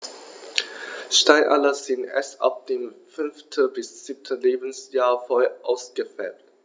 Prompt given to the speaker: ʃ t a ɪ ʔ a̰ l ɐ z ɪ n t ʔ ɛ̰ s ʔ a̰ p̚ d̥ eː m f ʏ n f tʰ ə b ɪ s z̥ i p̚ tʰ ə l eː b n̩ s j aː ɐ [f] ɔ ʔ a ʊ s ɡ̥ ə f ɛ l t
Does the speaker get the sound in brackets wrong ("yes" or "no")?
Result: no